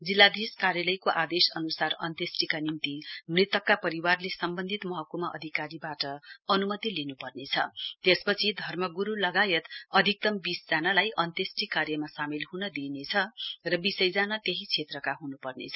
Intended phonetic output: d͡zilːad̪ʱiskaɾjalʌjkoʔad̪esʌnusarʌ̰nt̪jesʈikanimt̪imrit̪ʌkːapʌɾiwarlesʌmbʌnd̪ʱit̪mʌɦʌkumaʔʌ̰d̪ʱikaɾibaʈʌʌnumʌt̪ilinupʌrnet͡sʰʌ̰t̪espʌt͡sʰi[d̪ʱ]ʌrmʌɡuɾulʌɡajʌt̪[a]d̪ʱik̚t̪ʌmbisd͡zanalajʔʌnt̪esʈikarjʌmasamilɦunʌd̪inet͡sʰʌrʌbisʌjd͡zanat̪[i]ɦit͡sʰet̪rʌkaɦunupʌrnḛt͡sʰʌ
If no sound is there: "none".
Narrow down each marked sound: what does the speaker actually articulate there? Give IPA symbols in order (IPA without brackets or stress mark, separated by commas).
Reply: d̪ʱ, ʌ, e